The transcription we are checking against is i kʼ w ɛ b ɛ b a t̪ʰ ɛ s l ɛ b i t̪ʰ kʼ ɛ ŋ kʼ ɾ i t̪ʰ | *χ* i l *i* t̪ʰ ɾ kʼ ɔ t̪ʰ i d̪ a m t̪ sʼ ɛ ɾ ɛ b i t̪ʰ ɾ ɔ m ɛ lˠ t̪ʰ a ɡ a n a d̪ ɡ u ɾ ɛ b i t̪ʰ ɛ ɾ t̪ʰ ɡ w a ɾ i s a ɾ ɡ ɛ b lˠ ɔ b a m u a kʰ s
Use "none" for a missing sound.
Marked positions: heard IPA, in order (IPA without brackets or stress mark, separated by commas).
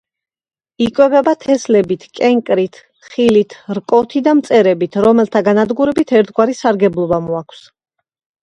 χ, i